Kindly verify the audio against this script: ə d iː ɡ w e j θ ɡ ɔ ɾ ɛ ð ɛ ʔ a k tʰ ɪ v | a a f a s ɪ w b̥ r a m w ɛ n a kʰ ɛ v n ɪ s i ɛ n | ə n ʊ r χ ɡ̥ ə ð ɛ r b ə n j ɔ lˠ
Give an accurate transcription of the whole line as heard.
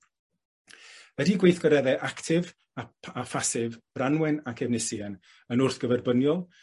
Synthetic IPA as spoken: ə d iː ɡ w e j θ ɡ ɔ ɾ ɛ ð ɛ ʔ a k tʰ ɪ v | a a f a s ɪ v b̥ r a n w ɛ n a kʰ ɛ v n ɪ s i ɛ n | ə n ʊ r θ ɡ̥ ə v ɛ r b ə n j ɔ lˠ